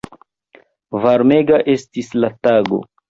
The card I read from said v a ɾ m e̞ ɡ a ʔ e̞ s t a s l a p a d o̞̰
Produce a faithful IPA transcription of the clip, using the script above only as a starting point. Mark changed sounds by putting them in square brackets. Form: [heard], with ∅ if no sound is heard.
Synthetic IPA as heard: v a ɾ m e̞ ɡ a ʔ e̞ s t [i] s l a [t] a [ɡ] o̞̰

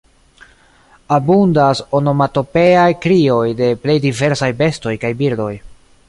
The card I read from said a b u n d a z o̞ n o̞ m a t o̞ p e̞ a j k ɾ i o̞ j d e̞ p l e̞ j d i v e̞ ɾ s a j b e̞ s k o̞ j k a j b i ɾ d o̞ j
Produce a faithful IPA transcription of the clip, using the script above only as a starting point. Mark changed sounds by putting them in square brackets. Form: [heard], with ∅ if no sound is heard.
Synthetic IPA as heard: a b u n d a [s] o̞ n o̞ m a t o̞ p e̞ a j k ɾ i o̞ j d e̞ p l e̞ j d i v e̞ ɾ s a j b e̞ s [t] o̞ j k a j b i ɾ d o̞ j

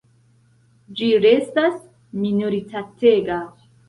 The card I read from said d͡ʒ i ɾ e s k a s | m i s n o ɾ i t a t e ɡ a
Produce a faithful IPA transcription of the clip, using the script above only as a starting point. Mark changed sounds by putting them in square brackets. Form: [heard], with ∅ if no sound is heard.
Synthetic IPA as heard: d͡ʒ i ɾ e s [t] a s | m i [∅] n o ɾ i t a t e ɡ a

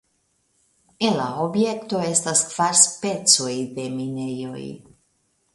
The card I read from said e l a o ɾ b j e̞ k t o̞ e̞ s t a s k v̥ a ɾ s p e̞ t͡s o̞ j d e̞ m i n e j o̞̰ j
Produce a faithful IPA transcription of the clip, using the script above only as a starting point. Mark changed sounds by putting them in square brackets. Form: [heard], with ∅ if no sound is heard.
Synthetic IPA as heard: e l a o [∅] b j e̞ k t o̞ e̞ s t a s k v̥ a ɾ s p e̞ t͡s o̞ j d e̞ m i n e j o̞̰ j

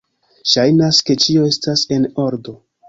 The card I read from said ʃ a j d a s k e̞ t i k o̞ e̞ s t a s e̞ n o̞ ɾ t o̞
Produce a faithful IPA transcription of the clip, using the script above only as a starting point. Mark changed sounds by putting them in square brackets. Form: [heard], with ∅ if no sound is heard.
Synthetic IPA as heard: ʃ a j [n] a s k e̞ [t͡ʃ] i [∅] o̞ e̞ s t a s e̞ n o̞ ɾ [d] o̞

